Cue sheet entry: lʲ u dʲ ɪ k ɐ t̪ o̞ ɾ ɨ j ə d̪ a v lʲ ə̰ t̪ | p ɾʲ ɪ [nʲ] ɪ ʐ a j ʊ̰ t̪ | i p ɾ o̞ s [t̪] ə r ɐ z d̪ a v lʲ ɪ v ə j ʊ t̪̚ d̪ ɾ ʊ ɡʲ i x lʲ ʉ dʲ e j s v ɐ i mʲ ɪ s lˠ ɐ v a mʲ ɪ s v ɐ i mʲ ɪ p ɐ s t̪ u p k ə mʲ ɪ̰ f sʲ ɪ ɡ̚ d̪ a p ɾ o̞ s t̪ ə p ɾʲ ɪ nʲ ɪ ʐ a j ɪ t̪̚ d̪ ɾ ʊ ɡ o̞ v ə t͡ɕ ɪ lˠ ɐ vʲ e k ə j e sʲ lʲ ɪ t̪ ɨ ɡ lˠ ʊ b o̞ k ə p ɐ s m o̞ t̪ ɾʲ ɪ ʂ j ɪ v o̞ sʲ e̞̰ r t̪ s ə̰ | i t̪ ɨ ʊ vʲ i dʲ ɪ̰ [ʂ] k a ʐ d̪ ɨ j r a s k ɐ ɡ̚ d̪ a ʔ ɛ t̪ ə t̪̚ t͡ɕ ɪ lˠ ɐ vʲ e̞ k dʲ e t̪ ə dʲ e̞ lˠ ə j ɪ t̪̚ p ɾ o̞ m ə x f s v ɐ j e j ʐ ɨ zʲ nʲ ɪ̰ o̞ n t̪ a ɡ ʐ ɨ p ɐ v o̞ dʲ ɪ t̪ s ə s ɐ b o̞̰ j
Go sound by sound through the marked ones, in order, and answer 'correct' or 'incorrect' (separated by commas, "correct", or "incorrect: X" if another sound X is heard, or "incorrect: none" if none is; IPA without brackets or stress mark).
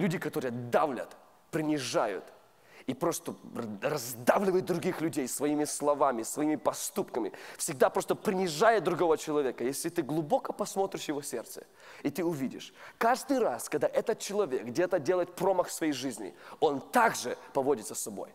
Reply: correct, correct, correct